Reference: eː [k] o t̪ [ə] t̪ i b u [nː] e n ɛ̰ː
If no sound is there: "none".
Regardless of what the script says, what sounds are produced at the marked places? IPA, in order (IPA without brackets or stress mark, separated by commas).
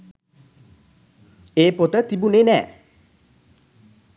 p, ə, n